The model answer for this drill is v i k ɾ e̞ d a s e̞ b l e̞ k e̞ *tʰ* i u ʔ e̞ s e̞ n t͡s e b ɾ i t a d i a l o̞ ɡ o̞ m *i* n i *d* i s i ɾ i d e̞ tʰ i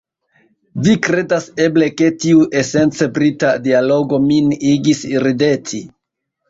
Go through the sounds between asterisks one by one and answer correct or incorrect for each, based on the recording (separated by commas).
incorrect, correct, incorrect